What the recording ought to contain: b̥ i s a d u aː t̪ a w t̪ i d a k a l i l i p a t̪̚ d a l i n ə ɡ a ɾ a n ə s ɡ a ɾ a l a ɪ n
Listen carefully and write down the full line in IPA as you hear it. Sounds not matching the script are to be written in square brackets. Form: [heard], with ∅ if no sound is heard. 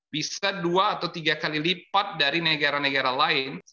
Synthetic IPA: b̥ i s a d u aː t̪ a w t̪ i [ɡ] a k a l i l i p a t̪̚ d a [ɾ] i n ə ɡ a ɾ a n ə [∅] ɡ a ɾ a l a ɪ n

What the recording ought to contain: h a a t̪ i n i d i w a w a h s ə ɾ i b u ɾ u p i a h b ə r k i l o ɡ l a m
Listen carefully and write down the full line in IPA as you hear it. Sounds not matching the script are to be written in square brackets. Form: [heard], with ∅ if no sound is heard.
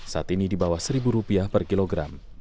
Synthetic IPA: [s] a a t̪ i n i d i [b] a w a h s ə ɾ i b u ɾ u p i a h [p] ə r k i l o ɡ [ɾ] a m

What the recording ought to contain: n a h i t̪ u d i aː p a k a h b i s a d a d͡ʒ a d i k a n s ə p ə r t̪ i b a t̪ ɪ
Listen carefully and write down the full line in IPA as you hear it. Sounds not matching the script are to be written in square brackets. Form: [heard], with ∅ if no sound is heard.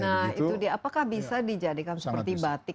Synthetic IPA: n a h i t̪ u d i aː p a k a h b i s a d [i] d͡ʒ a d i k a n s ə p ə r t̪ i b a t̪ ɪ

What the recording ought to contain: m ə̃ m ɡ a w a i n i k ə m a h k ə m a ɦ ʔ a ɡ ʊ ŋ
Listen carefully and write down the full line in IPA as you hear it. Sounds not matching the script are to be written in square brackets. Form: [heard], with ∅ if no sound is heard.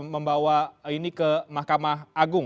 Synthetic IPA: m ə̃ m [b] a w a i n i k ə m a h k [a] m a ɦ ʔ a ɡ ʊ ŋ

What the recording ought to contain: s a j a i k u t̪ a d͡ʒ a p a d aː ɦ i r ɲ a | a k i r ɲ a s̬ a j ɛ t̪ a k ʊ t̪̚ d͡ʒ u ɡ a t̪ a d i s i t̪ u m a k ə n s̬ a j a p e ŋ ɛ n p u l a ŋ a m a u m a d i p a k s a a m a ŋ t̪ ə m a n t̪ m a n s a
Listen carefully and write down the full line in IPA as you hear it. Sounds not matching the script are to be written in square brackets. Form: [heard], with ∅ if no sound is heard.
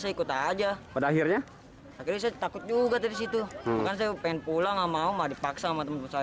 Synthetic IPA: s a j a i k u t̪ a d͡ʒ a p a d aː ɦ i r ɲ a | a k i r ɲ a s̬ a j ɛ t̪ a k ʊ t̪̚ d͡ʒ u ɡ a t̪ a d i s i t̪ u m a k [a] n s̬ a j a p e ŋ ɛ n p u l a ŋ a m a u m a d i p a k s a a m a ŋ t̪ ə m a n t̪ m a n s a

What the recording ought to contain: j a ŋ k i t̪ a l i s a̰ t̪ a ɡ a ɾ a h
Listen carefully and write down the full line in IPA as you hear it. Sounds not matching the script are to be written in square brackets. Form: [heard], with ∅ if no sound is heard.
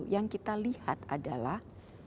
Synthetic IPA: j a ŋ k i t̪ a l i [h] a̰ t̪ a [d] a [l] a h

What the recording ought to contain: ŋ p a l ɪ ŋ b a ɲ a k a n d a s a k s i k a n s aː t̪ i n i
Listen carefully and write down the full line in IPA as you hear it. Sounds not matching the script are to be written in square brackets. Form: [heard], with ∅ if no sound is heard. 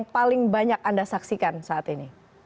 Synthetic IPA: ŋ p a l ɪ ŋ b a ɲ a k a n d a s a k s i k a n s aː t̪ i n i

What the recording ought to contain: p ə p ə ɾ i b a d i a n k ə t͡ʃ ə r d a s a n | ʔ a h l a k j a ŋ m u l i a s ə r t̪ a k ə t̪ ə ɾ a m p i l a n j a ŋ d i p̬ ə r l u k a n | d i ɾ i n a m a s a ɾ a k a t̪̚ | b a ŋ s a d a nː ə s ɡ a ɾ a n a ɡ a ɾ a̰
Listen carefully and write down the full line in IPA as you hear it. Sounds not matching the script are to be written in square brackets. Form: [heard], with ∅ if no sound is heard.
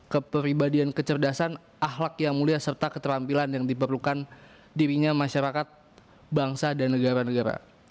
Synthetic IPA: [k] ə p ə ɾ i b a d i a n k ə t͡ʃ ə r d a s a n | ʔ a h l a k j a ŋ m u l i a s ə r t̪ a k ə t̪ ə ɾ a m p i l a n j a ŋ d i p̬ ə r l u k a n | d i ɾ i [ɲ] a m a [ʃ] a ɾ a k a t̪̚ | b a ŋ s a d a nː ə [∅] ɡ a ɾ a n [ə] ɡ a ɾ a̰

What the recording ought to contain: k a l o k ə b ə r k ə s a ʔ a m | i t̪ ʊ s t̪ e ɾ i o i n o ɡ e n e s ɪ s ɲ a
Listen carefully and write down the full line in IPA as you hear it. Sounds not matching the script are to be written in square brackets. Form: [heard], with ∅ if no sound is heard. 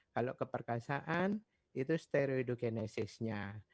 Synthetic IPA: k a l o k ə [p] ə r k [a] s a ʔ a [n] | i t̪ [u] s t̪ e ɾ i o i [d] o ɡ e n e s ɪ s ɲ a

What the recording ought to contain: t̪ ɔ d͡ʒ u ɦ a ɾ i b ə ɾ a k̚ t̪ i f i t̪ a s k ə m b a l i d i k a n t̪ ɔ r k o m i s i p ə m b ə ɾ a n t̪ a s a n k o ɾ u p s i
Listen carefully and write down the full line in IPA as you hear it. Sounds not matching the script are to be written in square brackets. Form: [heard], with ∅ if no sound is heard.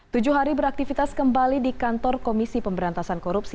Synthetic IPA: t̪ [u] d͡ʒ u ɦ a ɾ i b ə ɾ a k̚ t̪ i f i t̪ a s k ə m b a l i d i k a n t̪ ɔ r k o m i s i p ə m b ə ɾ a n t̪ a s a n k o ɾ u p s i

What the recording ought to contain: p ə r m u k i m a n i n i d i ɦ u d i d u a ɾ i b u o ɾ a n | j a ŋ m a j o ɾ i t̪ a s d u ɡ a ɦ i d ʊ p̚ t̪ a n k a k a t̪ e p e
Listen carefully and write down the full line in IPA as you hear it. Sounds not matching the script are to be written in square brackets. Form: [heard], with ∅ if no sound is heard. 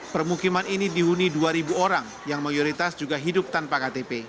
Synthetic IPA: p ə r m u k i m a n i n i d i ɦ u [n] i d u a ɾ i b u o ɾ a [ŋ] | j a ŋ m a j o ɾ i t̪ a s [d͡ʒ] u ɡ a ɦ i d ʊ p̚ t̪ a n [p] a k a t̪ e p e

